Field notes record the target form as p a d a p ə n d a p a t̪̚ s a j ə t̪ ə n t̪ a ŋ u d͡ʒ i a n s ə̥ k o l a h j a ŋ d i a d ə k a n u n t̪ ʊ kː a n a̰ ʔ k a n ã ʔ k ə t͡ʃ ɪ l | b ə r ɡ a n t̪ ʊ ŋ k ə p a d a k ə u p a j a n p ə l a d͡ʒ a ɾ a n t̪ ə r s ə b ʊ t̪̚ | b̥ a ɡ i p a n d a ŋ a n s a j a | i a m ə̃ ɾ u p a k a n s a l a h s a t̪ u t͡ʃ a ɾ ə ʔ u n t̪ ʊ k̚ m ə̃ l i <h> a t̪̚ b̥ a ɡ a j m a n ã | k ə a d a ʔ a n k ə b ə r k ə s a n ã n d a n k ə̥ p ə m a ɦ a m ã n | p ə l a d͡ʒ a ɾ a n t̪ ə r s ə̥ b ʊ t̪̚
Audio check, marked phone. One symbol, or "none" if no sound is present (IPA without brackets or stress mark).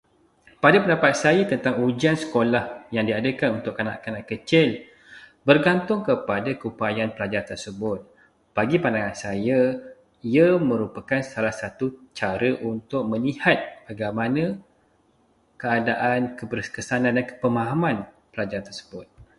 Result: h